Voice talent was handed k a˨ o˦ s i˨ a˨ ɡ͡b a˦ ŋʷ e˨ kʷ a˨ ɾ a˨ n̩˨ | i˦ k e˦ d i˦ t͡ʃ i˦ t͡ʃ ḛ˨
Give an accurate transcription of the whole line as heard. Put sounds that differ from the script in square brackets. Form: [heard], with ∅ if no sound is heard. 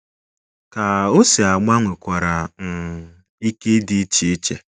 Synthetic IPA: k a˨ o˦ s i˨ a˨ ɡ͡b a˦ ŋʷ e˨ kʷ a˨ ɾ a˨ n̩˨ | i˦ k e˦ d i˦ t͡ʃ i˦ t͡ʃ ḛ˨